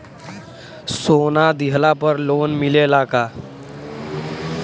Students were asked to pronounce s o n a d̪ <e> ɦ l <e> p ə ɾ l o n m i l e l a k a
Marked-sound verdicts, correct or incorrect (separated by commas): incorrect, incorrect